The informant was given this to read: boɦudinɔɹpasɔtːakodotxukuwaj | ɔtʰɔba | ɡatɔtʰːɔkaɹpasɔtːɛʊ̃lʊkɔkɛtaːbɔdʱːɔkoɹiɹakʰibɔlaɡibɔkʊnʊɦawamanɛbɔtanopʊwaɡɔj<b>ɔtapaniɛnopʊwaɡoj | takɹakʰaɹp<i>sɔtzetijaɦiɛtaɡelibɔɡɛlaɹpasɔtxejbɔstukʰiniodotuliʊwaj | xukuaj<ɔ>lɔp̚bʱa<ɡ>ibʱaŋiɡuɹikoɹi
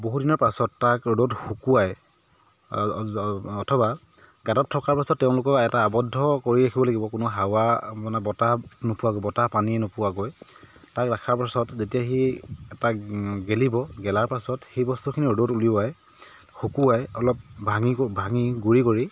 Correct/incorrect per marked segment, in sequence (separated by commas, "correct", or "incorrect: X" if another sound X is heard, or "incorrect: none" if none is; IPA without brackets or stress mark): correct, incorrect: a, correct, incorrect: ŋ